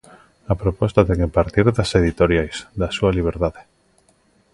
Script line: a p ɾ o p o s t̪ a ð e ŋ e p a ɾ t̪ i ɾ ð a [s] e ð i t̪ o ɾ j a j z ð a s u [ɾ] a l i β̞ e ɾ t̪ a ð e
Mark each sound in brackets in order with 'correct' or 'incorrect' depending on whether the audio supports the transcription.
correct, incorrect

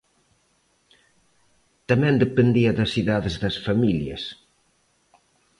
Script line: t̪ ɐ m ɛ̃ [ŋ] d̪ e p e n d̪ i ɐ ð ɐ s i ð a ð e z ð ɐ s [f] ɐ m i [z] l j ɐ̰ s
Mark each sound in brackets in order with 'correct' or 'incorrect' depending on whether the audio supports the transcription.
incorrect, correct, incorrect

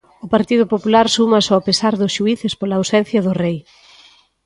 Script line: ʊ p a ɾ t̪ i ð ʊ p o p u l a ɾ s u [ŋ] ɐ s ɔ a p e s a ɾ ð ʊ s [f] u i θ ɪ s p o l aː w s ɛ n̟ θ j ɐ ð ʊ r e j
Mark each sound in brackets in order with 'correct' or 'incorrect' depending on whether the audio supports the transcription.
incorrect, incorrect

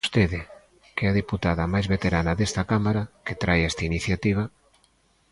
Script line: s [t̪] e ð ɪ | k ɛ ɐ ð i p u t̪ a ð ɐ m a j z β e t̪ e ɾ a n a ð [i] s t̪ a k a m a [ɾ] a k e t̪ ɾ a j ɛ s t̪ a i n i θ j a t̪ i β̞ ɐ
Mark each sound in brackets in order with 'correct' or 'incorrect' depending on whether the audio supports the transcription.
correct, incorrect, correct

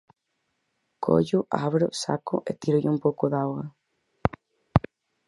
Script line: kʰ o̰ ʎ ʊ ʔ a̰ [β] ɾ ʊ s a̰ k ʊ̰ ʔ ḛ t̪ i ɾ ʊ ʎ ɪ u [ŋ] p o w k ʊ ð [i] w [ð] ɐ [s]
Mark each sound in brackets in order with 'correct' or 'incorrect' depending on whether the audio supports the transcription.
correct, incorrect, incorrect, incorrect, incorrect

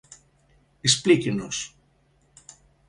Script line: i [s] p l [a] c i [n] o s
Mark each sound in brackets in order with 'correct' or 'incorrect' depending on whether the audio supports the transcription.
correct, incorrect, correct

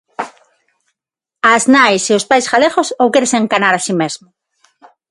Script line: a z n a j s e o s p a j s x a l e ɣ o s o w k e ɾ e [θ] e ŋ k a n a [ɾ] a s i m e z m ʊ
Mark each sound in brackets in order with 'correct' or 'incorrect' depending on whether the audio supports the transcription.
incorrect, correct

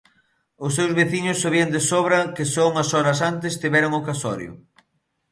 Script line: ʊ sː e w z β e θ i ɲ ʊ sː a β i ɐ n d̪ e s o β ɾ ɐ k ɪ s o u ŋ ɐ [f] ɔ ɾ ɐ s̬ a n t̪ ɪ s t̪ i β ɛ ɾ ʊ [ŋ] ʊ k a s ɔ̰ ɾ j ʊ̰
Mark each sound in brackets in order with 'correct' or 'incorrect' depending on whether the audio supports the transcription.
incorrect, correct

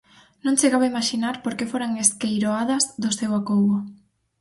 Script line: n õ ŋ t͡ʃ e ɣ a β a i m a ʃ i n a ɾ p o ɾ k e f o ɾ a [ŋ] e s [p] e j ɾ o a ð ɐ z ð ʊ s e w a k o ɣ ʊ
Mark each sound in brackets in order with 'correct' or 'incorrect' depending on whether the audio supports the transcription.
correct, incorrect

